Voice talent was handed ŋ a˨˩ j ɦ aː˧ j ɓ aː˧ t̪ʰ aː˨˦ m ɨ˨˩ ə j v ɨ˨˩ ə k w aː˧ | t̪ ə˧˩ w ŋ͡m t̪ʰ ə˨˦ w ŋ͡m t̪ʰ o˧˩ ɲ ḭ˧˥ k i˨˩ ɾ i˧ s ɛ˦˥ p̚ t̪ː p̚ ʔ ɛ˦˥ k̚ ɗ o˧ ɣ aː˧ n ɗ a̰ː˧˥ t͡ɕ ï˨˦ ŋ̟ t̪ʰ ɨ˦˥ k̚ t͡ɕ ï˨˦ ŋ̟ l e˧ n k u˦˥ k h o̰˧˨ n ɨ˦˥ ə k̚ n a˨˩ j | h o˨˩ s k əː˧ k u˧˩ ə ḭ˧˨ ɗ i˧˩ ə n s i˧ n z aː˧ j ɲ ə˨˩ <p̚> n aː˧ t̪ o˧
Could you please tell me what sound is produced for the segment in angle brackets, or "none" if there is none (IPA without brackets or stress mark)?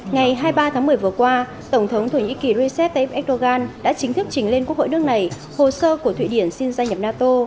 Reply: p̚